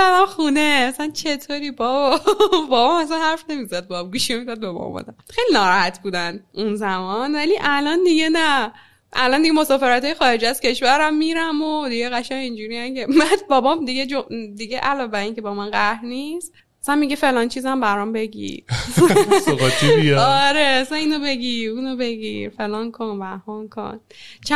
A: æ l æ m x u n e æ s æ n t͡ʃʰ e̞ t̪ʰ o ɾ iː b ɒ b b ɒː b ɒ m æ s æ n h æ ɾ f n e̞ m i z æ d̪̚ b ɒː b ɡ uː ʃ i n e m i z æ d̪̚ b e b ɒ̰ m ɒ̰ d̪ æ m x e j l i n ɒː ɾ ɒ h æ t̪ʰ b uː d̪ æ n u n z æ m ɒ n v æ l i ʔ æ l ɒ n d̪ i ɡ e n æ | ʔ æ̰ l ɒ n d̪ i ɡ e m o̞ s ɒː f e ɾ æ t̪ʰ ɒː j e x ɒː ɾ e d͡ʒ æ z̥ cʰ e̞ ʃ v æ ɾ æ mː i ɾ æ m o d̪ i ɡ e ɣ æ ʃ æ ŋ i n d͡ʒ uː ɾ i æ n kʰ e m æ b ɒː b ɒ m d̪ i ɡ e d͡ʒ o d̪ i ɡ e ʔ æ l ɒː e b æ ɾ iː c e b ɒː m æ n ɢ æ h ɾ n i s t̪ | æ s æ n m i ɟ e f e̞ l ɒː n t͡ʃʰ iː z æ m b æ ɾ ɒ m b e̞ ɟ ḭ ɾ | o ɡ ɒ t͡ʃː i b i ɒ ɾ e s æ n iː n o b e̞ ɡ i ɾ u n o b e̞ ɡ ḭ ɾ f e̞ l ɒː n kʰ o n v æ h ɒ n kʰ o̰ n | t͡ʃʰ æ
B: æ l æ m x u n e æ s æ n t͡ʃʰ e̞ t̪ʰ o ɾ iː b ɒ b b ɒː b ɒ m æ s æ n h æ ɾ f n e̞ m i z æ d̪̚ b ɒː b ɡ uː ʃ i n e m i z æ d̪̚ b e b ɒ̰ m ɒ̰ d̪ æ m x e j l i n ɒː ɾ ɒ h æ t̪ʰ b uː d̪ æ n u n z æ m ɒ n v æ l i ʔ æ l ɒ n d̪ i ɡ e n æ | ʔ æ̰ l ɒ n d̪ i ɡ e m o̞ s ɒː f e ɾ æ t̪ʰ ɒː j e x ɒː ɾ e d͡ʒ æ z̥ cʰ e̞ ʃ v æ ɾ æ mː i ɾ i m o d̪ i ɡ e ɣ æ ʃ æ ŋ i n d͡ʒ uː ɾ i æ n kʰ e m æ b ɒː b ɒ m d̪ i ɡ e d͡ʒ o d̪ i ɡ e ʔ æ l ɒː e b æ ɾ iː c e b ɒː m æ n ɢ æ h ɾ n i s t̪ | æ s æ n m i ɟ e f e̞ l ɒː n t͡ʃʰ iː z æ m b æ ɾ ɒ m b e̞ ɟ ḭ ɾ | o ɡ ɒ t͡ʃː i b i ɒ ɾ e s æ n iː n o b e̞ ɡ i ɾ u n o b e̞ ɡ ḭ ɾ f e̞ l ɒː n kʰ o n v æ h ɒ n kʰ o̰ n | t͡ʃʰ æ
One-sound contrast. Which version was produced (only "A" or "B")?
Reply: A